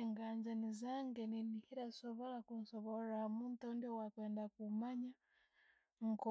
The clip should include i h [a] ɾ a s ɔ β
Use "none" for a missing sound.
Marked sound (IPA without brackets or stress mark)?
i